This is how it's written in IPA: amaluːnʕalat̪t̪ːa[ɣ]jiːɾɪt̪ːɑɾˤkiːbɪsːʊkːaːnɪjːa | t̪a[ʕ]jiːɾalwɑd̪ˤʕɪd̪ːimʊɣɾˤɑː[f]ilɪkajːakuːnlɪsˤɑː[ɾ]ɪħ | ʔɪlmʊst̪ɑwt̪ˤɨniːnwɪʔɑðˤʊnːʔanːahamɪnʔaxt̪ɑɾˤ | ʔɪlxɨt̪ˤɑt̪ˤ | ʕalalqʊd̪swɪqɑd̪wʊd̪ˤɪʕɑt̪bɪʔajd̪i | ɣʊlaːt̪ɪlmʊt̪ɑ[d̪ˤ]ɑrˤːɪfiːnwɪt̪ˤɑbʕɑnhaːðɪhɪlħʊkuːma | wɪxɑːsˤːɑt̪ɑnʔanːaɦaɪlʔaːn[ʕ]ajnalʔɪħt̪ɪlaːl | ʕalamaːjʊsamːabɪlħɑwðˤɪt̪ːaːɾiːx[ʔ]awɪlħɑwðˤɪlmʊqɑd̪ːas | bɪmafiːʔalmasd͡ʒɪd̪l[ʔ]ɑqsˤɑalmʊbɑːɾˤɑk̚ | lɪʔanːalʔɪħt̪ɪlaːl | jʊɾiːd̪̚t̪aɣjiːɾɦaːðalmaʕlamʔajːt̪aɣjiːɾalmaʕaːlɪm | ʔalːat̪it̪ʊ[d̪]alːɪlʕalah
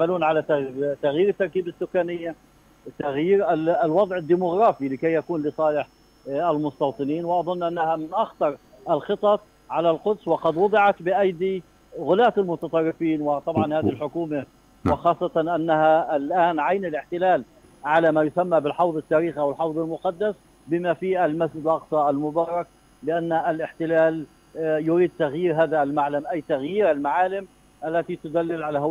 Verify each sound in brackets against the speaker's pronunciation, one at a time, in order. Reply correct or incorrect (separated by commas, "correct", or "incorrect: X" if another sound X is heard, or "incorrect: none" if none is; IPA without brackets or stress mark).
correct, incorrect: ɣ, correct, incorrect: l, incorrect: t̪ˤ, correct, correct, correct, correct